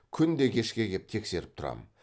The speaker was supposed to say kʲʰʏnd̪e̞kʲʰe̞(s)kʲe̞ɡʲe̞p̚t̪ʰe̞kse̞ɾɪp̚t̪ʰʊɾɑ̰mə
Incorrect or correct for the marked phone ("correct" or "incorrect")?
incorrect